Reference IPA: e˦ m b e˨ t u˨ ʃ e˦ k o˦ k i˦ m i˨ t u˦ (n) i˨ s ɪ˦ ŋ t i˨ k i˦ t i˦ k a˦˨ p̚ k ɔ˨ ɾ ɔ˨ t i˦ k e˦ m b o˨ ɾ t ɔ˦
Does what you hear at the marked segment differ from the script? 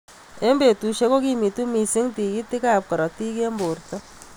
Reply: yes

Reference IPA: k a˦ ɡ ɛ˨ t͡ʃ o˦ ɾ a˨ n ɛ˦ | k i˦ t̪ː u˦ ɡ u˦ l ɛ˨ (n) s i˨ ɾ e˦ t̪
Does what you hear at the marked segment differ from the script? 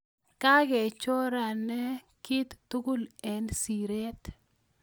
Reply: no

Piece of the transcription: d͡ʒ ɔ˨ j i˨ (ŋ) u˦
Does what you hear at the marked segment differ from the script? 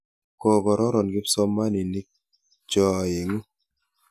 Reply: no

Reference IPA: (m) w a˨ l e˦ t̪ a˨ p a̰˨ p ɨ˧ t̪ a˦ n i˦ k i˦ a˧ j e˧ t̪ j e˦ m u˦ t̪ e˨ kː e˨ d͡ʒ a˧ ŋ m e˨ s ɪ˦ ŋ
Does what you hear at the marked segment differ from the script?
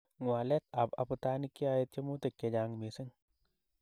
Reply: yes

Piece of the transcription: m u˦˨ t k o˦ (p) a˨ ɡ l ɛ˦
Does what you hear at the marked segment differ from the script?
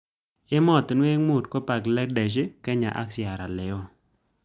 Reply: no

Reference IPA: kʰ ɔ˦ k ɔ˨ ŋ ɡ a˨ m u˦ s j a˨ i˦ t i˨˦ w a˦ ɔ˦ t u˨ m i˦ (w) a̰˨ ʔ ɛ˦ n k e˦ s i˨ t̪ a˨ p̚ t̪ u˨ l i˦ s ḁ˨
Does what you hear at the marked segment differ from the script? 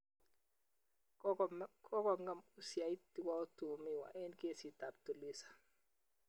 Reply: no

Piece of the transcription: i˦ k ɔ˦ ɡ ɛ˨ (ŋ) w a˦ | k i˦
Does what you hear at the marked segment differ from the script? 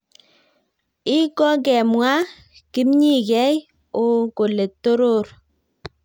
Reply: yes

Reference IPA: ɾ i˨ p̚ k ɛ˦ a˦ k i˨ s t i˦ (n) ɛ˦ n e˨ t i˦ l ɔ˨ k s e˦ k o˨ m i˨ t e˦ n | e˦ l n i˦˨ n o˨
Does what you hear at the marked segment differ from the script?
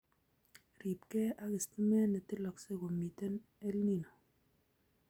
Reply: yes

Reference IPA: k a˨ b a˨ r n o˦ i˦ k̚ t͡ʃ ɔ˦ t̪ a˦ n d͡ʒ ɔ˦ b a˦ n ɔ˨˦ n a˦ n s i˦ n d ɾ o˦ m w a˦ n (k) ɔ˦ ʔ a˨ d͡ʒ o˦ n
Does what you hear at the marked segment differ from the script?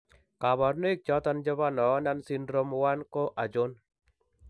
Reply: no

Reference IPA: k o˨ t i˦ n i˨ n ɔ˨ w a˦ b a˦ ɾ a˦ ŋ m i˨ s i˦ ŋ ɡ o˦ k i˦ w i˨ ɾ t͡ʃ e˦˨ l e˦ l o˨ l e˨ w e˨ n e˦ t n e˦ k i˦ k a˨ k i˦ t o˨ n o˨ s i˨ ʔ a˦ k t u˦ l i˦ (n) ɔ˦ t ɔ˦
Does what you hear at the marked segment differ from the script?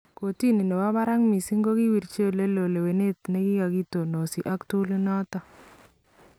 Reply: no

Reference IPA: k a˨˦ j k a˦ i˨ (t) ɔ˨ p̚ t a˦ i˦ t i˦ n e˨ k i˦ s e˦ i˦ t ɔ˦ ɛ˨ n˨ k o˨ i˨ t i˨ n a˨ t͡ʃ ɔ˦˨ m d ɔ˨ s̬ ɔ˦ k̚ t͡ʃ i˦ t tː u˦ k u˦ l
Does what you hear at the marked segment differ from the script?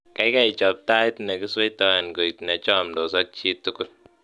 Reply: yes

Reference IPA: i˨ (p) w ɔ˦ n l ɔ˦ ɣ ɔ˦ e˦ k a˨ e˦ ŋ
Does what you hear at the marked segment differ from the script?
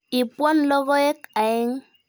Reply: no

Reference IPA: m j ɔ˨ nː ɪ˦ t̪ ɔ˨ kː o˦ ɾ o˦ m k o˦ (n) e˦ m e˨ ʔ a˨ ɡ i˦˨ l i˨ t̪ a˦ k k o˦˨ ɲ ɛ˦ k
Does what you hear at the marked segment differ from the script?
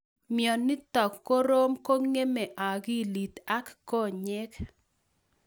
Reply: yes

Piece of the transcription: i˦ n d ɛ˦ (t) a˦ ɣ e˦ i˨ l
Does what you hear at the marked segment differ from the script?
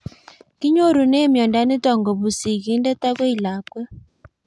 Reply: no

